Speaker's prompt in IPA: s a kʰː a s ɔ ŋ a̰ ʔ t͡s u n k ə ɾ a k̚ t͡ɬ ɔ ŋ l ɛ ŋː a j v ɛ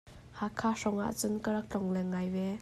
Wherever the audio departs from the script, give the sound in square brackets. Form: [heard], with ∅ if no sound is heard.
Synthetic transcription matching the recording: [h] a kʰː a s ɔ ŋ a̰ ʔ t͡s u n k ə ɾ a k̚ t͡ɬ ɔ ŋ l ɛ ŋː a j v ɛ